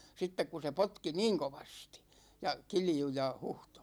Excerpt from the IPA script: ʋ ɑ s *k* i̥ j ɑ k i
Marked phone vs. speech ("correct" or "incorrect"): incorrect